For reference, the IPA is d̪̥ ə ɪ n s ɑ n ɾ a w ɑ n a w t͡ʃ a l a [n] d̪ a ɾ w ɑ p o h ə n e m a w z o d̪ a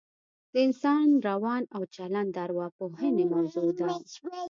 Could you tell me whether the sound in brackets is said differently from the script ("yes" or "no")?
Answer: no